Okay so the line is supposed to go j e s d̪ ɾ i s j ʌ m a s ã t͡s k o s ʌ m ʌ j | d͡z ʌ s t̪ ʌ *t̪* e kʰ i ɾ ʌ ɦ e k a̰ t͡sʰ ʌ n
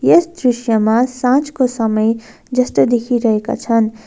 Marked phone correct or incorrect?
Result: incorrect